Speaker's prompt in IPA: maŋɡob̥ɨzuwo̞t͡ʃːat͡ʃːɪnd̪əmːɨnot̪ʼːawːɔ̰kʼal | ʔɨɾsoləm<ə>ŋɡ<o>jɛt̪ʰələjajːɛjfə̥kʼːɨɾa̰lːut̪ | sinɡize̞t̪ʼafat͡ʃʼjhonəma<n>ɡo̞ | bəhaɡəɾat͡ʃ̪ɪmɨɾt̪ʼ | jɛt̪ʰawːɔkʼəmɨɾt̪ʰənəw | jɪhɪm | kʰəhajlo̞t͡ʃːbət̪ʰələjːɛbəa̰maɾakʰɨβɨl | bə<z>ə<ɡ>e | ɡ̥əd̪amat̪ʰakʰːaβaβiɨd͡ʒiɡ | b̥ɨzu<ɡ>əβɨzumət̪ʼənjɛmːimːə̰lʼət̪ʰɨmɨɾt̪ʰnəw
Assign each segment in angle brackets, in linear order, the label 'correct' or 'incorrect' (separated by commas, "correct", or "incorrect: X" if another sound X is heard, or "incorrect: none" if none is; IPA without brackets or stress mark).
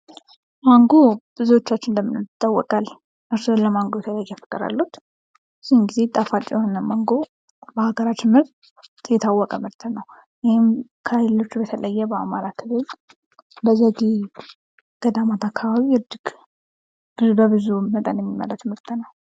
incorrect: a, correct, incorrect: ŋ, correct, correct, incorrect: b